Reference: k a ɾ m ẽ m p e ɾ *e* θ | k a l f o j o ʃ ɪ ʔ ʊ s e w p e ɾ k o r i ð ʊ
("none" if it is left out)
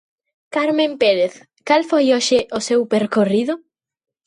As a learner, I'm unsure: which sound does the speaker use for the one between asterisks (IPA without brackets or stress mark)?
e